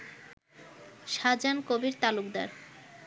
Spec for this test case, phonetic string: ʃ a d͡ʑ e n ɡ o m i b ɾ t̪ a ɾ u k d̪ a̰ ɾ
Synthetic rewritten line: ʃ a d͡ʑ a n k o b i ɾ t̪ a l u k d̪ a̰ ɾ